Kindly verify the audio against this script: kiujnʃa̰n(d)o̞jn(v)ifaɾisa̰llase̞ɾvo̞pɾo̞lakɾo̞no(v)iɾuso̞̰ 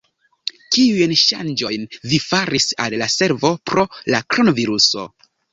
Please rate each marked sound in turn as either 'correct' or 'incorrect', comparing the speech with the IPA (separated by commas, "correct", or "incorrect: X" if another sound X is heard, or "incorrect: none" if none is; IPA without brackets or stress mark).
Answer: incorrect: d͡ʒ, correct, correct